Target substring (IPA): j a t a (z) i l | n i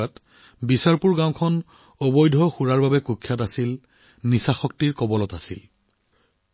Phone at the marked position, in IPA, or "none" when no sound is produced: s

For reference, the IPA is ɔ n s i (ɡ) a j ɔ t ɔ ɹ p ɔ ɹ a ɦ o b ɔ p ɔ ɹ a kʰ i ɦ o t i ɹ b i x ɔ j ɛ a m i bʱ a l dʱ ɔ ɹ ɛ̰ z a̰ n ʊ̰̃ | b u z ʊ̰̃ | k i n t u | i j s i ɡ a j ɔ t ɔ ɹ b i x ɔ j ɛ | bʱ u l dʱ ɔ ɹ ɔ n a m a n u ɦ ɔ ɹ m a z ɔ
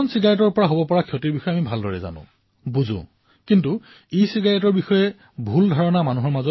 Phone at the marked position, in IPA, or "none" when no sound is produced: ɡ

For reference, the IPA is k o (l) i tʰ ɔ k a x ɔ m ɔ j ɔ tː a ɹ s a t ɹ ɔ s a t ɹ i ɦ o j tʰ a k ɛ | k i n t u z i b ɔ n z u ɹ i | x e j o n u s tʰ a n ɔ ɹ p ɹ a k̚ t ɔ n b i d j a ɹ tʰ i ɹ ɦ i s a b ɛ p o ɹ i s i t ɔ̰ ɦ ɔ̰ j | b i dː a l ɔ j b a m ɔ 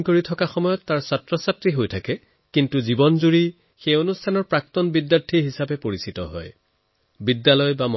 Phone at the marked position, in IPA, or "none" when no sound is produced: ɹ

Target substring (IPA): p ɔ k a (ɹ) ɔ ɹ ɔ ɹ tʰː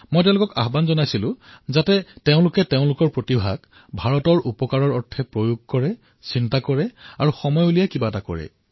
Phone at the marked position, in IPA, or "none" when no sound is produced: ɹ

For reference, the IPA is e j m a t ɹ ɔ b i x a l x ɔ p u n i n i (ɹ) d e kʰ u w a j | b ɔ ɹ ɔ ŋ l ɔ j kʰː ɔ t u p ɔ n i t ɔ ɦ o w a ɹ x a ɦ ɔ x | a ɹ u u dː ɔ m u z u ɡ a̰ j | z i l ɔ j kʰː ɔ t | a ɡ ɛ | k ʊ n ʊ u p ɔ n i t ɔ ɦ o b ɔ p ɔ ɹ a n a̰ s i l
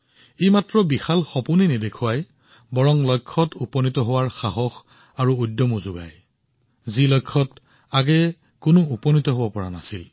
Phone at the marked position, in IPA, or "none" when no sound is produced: none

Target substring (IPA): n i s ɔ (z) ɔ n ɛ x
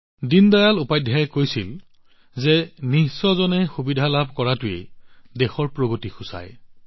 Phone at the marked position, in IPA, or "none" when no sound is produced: z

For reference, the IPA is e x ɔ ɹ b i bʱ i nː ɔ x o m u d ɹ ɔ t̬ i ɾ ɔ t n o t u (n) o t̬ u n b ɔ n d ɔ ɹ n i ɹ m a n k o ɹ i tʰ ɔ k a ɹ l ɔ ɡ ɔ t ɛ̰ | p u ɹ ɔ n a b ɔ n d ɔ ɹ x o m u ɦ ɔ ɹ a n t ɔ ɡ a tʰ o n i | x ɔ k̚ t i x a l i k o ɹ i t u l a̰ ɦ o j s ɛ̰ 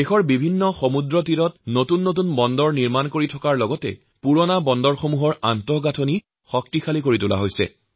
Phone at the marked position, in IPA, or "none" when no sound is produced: nː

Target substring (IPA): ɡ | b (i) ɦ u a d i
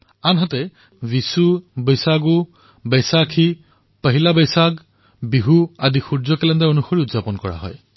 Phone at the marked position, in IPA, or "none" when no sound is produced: i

